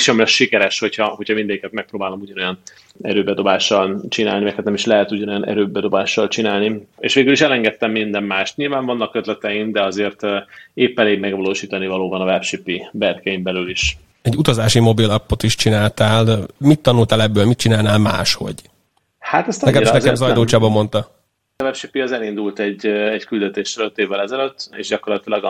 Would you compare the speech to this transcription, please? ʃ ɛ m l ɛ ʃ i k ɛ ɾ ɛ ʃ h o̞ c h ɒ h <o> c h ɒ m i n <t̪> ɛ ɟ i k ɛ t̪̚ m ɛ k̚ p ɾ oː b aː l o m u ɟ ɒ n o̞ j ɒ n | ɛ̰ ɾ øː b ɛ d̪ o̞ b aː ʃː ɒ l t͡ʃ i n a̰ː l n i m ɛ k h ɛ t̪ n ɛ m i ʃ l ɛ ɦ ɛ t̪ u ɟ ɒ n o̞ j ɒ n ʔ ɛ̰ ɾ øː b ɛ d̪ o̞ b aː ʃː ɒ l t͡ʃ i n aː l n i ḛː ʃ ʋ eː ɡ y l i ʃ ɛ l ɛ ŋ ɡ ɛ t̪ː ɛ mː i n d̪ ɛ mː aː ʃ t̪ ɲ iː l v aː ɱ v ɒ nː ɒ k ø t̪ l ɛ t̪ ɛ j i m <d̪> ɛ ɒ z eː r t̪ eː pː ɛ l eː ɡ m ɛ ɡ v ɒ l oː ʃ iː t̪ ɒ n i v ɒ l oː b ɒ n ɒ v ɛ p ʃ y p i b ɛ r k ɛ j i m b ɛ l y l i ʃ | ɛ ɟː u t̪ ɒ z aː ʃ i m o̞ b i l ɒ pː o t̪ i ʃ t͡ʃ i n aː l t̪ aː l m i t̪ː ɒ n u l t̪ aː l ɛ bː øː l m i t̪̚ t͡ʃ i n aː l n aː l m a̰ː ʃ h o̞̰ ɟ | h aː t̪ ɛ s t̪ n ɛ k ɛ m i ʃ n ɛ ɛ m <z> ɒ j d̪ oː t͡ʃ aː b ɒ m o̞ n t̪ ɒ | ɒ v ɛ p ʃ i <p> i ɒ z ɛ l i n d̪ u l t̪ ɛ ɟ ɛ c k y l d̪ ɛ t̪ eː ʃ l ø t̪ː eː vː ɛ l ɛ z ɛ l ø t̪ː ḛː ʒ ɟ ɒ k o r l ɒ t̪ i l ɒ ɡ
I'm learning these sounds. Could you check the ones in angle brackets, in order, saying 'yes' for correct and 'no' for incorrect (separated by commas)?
yes, no, yes, yes, yes